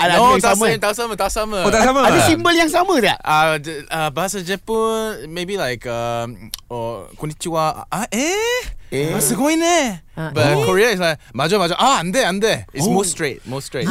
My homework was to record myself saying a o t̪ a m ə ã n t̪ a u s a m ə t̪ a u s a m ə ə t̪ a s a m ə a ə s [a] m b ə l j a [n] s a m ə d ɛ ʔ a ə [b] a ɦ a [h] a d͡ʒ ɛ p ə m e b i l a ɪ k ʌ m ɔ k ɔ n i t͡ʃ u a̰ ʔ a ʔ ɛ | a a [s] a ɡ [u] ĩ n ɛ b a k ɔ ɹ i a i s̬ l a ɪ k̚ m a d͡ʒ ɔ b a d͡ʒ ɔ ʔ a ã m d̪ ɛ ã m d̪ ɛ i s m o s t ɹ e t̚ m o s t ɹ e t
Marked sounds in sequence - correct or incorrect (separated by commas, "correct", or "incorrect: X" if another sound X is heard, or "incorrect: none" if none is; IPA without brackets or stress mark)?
incorrect: i, incorrect: ŋ, correct, incorrect: s, correct, incorrect: o